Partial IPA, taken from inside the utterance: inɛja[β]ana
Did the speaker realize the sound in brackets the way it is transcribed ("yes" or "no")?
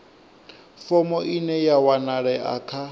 no